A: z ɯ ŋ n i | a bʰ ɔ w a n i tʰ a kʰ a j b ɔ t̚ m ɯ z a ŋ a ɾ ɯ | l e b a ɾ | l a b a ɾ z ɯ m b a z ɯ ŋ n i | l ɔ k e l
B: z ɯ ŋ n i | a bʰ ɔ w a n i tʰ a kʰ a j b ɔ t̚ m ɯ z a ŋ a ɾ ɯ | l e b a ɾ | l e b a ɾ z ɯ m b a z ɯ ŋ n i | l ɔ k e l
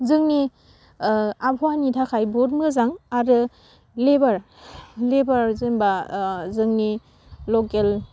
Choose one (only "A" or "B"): B